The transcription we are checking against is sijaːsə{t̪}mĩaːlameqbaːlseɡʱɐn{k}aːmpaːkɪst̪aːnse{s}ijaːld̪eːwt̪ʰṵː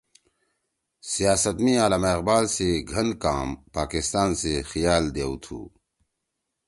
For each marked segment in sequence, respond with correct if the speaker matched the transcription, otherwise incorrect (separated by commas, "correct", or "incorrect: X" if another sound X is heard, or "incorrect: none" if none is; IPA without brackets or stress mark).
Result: correct, correct, incorrect: x